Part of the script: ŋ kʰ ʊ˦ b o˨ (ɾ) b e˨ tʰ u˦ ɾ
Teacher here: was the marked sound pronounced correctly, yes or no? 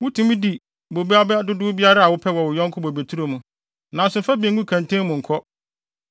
no